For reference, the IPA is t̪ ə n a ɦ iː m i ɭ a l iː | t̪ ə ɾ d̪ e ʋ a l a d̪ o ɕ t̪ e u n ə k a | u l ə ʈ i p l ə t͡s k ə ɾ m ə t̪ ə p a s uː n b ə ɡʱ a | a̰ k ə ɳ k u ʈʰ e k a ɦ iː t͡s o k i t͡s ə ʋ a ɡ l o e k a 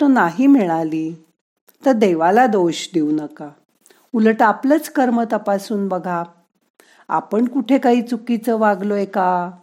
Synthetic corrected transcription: t̪ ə n a ɦ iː m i ɭ a l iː | t̪ ə ɾ d̪ e ʋ a l a d̪ o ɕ d̪ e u n ə k a | u l ə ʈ a p l ə t͡s k ə ɾ m ə t̪ ə p a s uː n b ə ɡʱ a | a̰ p ə ɳ k u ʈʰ e k a ɦ iː t͡s u k i t͡s ə ʋ a ɡ l o e k a